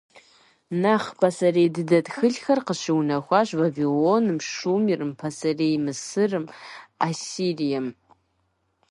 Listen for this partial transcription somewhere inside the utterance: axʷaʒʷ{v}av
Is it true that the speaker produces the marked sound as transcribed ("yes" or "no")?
yes